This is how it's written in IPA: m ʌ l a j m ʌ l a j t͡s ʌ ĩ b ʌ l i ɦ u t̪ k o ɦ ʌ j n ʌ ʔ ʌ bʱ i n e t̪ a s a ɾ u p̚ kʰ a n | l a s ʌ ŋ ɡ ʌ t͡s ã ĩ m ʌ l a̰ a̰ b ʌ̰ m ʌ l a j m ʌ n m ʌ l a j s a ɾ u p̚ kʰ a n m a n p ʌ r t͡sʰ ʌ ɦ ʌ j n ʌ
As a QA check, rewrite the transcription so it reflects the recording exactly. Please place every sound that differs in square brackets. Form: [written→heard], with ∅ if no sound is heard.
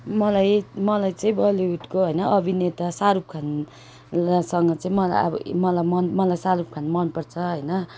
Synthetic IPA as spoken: m ʌ l a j m ʌ l a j t͡s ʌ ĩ b ʌ l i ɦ u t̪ k o ɦ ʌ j n ʌ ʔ ʌ bʱ i n e t̪ a s a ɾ u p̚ kʰ a n | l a s ʌ ŋ ɡ ʌ t͡s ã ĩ m ʌ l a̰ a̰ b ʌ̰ m ʌ l a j m ʌ n m ʌ l a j s a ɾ u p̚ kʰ a n m [a→ʌ] n p ʌ r t͡sʰ ʌ ɦ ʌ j n ʌ